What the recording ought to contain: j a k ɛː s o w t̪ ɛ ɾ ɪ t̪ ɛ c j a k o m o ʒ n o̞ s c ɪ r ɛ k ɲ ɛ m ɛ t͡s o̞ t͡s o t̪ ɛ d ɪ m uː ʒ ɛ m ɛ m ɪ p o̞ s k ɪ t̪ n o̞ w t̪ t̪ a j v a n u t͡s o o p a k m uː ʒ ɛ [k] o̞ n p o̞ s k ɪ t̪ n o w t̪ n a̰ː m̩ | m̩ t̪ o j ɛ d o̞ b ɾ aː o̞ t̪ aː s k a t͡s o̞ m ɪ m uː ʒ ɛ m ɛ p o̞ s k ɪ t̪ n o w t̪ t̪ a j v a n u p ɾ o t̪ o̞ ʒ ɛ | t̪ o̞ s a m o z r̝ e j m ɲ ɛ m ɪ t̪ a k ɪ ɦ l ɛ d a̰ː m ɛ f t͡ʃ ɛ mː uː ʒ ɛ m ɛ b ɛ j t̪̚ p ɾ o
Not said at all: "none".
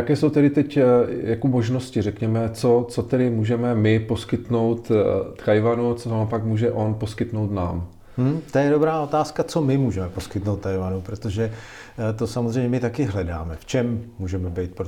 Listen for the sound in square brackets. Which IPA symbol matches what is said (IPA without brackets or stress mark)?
ʔ